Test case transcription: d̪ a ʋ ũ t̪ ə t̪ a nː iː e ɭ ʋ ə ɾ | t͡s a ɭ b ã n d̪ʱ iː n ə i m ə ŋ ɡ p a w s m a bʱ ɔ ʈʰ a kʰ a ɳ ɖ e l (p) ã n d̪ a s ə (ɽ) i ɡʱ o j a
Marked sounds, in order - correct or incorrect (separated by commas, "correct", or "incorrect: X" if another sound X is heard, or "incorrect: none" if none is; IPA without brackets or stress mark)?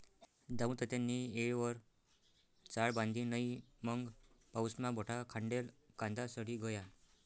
incorrect: k, correct